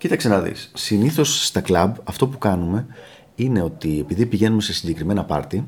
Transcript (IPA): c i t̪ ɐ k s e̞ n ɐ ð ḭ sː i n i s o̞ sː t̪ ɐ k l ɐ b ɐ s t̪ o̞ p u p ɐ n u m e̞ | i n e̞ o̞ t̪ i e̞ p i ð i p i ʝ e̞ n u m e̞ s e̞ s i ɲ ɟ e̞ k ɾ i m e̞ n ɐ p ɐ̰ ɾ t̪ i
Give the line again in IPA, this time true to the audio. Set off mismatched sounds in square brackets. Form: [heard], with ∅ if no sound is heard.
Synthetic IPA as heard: c i t̪ ɐ k s e̞ n ɐ ð ḭ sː i n i [θ] o̞ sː t̪ ɐ k l ɐ b ɐ [f] t̪ o̞ p u [k] ɐ n u m e̞ | i n e̞ o̞ t̪ i e̞ p i ð i p i ʝ e̞ n u m e̞ s e̞ s i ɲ ɟ e̞ k ɾ i m e̞ n ɐ p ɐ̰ ɾ t̪ i